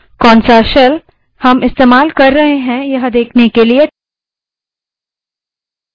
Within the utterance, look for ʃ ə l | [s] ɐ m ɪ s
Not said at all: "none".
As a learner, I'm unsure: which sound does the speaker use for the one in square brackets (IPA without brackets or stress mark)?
h